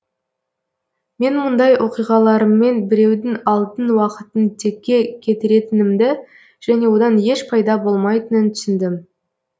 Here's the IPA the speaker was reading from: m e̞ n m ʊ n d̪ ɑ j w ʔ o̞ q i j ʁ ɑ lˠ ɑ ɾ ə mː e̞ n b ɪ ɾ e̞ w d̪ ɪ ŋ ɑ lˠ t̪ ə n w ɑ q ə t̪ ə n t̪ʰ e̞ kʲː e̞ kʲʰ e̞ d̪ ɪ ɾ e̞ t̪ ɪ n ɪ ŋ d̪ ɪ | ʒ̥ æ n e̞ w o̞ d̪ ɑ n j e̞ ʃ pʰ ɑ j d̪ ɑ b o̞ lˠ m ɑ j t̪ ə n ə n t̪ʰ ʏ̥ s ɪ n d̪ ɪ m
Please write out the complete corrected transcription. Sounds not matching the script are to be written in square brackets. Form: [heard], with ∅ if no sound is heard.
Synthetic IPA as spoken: m e̞ n m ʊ n d̪ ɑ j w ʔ o̞ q i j ʁ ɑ lˠ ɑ ɾ ə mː e̞ n b ɪ ɾ e̞ w d̪ ɪ ŋ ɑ lˠ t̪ ə n w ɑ q ə t̪ ə n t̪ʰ e̞ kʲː e̞ kʲʰ e̞ [t̪] ɪ ɾ e̞ t̪ ɪ n ɪ [m] d̪ ɪ | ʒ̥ æ n e̞ w o̞ d̪ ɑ n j e̞ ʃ pʰ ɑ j d̪ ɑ b o̞ lˠ m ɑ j t̪ ə n ə n t̪ʰ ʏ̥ s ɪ n d̪ ɪ m